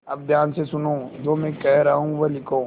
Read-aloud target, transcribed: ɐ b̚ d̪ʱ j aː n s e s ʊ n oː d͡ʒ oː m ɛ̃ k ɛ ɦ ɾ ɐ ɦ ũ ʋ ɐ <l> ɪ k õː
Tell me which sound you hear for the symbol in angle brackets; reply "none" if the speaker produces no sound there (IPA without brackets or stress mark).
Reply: l